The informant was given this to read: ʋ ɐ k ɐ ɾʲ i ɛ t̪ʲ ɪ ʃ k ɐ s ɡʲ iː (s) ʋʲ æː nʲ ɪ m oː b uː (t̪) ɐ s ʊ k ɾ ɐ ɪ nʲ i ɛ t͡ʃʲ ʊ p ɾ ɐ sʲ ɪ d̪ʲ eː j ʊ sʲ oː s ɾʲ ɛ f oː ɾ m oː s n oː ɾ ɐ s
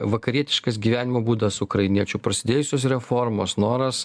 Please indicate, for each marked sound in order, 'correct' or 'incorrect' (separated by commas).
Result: incorrect, incorrect